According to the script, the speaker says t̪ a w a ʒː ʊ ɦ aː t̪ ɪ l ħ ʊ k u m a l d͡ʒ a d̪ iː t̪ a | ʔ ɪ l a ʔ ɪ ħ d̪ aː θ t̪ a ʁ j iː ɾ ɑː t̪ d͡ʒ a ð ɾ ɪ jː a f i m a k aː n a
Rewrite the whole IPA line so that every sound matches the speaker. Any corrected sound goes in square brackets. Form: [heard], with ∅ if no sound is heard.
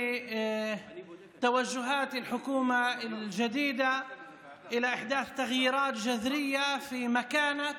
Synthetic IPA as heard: t̪ a w a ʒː ʊ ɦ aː t̪ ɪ l ħ ʊ k [uː] m a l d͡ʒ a d̪ iː [d̪] a | ʔ ɪ l a ʔ ɪ ħ d̪ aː θ t̪ a [ɣ] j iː ɾ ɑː t̪ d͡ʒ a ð ɾ ɪ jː a f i m a k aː n a